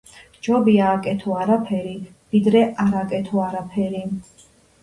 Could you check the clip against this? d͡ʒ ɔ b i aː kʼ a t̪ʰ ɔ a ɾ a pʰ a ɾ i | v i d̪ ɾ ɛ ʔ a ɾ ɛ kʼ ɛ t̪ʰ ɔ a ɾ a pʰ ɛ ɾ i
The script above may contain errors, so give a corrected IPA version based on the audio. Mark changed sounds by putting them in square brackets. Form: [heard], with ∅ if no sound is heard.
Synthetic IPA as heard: d͡ʒ ɔ b i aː kʼ [ɛ] t̪ʰ ɔ a ɾ a pʰ [ɛ] ɾ i | v i d̪ ɾ ɛ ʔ a ɾ [a] kʼ ɛ t̪ʰ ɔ a ɾ a pʰ ɛ ɾ i